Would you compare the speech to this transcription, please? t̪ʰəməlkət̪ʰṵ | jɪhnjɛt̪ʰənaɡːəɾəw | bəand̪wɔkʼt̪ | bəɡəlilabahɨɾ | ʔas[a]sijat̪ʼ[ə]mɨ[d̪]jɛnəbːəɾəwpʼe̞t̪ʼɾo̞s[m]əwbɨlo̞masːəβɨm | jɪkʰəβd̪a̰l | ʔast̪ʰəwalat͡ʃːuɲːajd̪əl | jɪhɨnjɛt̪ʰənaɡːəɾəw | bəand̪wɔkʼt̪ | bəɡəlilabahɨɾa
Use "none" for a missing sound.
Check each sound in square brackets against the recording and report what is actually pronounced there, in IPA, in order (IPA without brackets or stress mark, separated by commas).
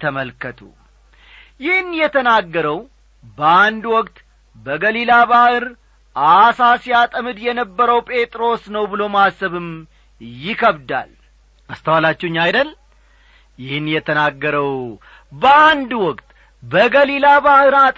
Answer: a, ə, d̪, n